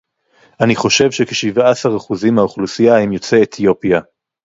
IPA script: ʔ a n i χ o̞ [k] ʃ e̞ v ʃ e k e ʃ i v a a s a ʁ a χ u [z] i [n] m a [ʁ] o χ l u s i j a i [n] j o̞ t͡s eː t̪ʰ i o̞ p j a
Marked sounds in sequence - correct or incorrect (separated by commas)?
incorrect, correct, incorrect, incorrect, incorrect